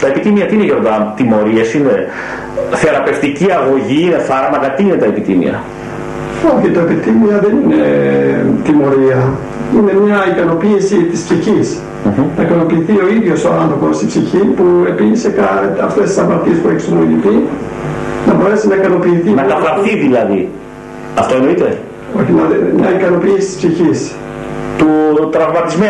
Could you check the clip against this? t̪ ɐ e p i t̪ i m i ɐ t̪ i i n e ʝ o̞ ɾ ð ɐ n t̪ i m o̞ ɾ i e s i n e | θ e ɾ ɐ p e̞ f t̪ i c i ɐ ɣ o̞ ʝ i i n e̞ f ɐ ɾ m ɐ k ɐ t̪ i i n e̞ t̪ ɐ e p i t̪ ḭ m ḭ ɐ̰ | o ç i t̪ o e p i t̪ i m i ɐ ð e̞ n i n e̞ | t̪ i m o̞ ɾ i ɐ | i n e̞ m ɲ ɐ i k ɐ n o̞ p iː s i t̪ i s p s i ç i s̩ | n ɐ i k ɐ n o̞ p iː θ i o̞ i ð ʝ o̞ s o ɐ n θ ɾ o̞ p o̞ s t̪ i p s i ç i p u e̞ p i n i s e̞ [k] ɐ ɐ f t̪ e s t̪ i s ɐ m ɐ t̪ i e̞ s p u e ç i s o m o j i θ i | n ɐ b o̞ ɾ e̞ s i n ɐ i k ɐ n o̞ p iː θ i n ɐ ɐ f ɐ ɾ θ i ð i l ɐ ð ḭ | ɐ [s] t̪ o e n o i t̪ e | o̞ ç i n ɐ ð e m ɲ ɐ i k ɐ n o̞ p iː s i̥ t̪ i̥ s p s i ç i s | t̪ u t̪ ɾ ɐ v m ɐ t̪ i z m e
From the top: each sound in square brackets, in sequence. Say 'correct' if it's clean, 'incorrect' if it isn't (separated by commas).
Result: correct, incorrect